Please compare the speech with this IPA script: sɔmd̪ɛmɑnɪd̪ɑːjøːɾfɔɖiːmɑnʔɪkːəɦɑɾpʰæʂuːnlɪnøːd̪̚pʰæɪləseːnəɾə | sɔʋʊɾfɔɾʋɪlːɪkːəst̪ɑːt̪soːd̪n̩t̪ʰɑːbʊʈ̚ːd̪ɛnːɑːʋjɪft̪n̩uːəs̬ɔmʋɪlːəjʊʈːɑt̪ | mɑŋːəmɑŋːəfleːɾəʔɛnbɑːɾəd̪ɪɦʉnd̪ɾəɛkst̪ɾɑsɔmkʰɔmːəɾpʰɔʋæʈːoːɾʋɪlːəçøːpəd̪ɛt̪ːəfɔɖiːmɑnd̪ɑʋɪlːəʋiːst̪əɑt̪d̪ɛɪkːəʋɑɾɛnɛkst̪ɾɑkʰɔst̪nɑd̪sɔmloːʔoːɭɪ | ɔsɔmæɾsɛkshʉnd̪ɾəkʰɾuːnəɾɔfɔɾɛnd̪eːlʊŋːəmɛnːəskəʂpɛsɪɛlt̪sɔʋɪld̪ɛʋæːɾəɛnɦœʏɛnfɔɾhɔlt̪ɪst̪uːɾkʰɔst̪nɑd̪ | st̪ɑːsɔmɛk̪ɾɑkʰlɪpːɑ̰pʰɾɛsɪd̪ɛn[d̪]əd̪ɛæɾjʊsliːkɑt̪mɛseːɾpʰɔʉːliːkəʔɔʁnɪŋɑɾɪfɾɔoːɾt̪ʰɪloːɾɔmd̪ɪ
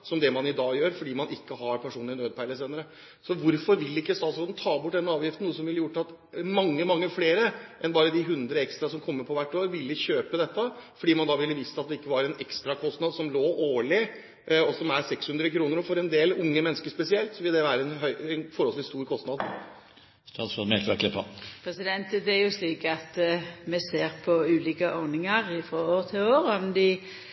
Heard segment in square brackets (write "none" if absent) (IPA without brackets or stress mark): t̪